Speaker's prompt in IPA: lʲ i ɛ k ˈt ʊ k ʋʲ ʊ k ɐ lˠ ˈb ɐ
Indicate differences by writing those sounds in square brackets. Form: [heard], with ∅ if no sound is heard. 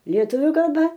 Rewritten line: lʲ i ɛ [∅] ˈt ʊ [∅] ʋʲ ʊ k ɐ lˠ ˈb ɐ